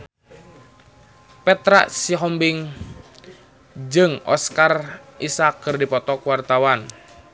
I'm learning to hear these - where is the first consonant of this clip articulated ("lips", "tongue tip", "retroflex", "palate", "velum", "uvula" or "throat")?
lips